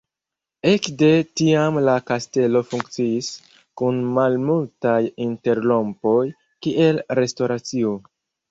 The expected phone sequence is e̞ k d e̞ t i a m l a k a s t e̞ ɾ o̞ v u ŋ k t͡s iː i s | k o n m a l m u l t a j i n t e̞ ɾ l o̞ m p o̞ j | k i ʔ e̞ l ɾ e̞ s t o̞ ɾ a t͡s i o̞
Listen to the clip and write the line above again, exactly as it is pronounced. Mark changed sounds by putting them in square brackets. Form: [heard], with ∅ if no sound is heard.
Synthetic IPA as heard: e̞ k d e̞ t i a m l a k a s t e̞ [l] o̞ [f] u ŋ k t͡s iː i s | k [u] n m a l m u l t a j i n t e̞ ɾ l o̞ m p o̞ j | k i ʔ e̞ l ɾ e̞ s t o̞ ɾ a t͡s i o̞